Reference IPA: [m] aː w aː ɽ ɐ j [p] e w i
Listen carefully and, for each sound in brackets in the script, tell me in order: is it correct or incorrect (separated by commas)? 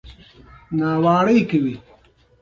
incorrect, incorrect